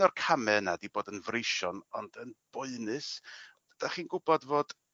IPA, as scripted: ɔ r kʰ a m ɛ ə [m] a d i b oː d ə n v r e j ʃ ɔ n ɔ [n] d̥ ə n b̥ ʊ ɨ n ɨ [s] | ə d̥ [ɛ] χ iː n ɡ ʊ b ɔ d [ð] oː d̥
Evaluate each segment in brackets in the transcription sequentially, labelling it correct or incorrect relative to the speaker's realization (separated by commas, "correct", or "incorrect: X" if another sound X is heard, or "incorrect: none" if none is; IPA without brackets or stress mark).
incorrect: n, correct, correct, incorrect: a, incorrect: v